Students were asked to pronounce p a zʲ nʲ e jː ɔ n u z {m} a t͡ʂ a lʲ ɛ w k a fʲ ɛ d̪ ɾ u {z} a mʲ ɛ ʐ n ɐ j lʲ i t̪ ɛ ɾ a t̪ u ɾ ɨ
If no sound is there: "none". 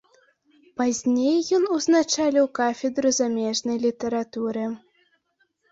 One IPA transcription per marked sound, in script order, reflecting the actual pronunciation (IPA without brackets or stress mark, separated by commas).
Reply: n, z